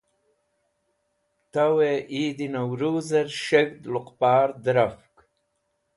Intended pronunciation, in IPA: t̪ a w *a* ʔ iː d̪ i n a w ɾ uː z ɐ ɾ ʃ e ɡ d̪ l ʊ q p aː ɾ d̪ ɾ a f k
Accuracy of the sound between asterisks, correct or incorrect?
incorrect